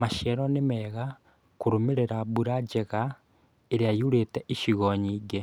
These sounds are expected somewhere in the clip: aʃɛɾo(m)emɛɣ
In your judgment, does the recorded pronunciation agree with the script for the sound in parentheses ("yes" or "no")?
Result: no